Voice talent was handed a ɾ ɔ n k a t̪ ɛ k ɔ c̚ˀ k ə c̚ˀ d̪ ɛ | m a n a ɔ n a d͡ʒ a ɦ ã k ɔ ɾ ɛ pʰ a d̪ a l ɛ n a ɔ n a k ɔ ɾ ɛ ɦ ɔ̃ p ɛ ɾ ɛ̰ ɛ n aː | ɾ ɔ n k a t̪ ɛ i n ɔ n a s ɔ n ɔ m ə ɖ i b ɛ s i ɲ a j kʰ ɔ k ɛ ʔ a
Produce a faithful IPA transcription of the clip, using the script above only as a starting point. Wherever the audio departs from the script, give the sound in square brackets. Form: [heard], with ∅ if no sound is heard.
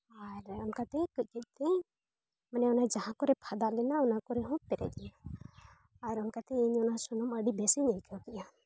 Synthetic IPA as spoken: a ɾ ɔ n k a t̪ ɛ k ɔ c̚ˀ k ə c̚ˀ [t̪] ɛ | m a n [ɛ] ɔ n a d͡ʒ a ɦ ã k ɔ ɾ ɛ pʰ a d̪ a l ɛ n a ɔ n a k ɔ ɾ ɛ ɦ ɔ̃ p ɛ ɾ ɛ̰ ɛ n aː | ɾ ɔ n k a t̪ ɛ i [ɲ] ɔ n a s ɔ n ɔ m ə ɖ i b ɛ s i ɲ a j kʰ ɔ k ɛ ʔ a

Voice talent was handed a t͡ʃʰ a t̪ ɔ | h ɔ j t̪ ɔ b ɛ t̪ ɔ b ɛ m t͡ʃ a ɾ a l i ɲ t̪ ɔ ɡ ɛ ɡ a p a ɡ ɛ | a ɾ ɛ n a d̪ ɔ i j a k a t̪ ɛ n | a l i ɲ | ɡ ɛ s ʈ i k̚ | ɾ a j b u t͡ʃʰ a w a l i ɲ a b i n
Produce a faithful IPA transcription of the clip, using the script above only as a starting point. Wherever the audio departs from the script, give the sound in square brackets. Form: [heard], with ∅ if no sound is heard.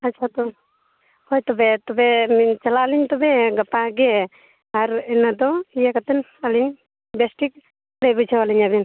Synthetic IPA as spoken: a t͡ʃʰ a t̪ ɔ | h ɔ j t̪ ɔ b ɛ t̪ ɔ b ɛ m t͡ʃ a [l] a l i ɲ t̪ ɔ [b] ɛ ɡ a p a ɡ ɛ | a ɾ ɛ n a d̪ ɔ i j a k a t̪ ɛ n | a l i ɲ | [b] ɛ s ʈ i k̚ | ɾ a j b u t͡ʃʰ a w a l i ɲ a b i n

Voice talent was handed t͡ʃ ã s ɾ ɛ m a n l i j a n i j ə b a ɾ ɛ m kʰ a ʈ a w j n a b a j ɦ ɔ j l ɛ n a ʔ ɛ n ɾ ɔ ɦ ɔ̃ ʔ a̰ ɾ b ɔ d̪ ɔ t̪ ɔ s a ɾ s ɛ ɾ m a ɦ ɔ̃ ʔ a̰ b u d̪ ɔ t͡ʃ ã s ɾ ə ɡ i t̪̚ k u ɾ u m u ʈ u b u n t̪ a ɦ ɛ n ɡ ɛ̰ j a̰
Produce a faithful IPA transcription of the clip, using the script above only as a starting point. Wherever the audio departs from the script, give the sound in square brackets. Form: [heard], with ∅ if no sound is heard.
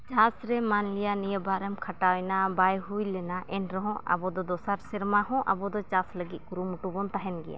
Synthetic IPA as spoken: t͡ʃ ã s ɾ ɛ m a n l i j a n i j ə b a ɾ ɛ m kʰ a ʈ a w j n a b a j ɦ [u] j l ɛ n a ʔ ɛ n ɾ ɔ ɦ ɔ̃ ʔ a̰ [∅] b ɔ d̪ ɔ [d̪] ɔ s a ɾ s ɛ ɾ m a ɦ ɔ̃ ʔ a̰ b [ɔ] d̪ ɔ t͡ʃ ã s [l] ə ɡ i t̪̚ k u ɾ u m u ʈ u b [ɔ] n t̪ a ɦ ɛ n ɡ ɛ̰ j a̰

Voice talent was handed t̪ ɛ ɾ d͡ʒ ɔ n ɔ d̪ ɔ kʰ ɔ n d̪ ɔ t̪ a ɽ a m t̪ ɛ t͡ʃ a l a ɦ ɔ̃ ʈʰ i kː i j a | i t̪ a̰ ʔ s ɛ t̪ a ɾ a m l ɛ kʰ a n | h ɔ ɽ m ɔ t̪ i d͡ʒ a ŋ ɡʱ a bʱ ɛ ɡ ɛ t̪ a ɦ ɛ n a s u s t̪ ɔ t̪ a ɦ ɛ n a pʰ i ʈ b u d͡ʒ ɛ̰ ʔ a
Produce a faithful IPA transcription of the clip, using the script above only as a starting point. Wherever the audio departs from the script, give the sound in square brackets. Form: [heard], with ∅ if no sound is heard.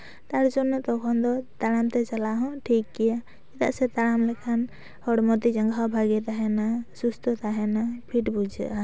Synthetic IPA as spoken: t̪ [a] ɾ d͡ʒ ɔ n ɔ [t̪] ɔ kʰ ɔ n d̪ ɔ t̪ a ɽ a m t̪ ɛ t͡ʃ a l a ɦ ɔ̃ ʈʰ i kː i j a | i t̪ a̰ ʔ s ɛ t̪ a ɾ a m l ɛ kʰ a n | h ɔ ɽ m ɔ t̪ i d͡ʒ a ŋ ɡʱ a bʱ [a] ɡ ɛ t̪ a ɦ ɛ n a s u s t̪ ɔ t̪ a ɦ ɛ n a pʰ i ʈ b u d͡ʒ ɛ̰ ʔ a

